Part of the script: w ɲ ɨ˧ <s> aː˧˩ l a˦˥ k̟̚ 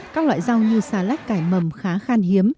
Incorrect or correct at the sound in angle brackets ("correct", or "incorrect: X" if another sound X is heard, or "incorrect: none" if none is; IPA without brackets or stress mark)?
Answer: correct